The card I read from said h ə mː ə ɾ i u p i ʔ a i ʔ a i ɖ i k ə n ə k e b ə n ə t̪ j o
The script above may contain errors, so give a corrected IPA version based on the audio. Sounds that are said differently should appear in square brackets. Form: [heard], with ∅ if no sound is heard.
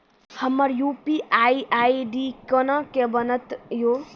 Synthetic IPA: h ə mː ə ɾ [j] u p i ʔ a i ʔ a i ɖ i k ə n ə k e b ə n ə t̪ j o